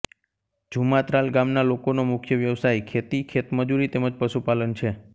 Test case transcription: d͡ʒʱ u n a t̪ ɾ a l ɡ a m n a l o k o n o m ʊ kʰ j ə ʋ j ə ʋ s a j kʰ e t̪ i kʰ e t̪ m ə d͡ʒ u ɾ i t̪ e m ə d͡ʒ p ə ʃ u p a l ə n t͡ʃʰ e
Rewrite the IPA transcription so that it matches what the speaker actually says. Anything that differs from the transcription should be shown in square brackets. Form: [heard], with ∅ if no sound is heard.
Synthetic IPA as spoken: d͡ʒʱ u [m] a t̪ ɾ a l ɡ a m n a l o k o n o m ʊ kʰ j ə ʋ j ə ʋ s a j kʰ e t̪ i kʰ e t̪ m ə d͡ʒ u ɾ i t̪ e m ə d͡ʒ p ə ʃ u p a l ə n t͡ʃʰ e